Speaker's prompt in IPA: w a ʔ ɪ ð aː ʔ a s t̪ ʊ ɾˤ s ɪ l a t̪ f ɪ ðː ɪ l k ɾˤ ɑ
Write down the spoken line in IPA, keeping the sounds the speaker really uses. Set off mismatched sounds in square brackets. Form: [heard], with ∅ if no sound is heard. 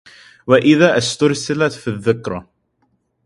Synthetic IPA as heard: w a ʔ ɪ ð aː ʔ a s t̪ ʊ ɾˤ s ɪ l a t̪ f [i] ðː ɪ [∅] k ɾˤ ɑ